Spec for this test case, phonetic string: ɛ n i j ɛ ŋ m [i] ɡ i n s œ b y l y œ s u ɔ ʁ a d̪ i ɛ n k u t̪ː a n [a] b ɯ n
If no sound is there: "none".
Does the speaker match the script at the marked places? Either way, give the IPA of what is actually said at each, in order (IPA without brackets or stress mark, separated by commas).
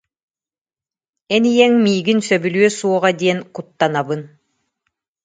iː, a